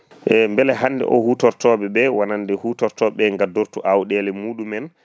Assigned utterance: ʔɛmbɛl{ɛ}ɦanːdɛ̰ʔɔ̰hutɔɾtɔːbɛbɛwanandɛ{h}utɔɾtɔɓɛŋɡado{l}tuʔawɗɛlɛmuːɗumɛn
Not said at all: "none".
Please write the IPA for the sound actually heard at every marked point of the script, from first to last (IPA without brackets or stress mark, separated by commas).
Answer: ɛ, h, ɾ